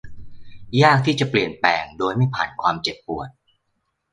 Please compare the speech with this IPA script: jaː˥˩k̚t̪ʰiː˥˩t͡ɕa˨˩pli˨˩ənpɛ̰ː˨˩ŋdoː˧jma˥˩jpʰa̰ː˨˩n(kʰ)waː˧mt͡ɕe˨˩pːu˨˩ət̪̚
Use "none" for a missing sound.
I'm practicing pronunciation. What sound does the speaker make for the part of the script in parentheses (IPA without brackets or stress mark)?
kʰ